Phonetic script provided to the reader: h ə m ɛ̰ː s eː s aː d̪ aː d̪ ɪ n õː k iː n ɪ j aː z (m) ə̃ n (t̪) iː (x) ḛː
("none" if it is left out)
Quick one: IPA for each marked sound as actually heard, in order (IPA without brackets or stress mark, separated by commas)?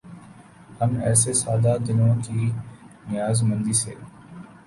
m, d̪, s